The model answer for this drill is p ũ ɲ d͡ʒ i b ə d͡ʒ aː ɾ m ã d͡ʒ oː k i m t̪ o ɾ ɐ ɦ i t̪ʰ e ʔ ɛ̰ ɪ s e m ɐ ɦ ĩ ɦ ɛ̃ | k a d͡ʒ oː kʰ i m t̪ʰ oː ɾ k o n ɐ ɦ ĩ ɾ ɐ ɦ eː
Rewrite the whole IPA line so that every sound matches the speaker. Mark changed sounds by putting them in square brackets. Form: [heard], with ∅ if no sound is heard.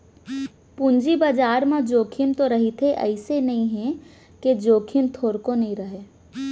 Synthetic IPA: p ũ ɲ d͡ʒ i b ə d͡ʒ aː ɾ m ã d͡ʒ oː [kʰ] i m t̪ o ɾ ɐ ɦ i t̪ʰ e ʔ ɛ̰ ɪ s e [n] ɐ ɦ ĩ ɦ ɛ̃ | k [e] d͡ʒ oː kʰ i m t̪ʰ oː ɾ k o n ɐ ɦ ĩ ɾ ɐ ɦ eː